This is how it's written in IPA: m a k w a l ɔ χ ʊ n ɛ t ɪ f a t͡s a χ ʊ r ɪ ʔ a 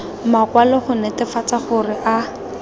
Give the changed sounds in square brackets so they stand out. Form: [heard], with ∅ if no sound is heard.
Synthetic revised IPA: m a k w a l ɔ χ ʊ n ɛ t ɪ f a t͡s a χ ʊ r ɪ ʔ a